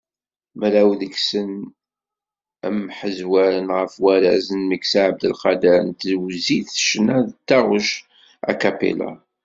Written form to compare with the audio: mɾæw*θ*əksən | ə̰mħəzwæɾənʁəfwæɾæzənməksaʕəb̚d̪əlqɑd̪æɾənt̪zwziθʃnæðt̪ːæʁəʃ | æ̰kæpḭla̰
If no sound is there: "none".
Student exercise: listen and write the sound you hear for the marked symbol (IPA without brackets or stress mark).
ð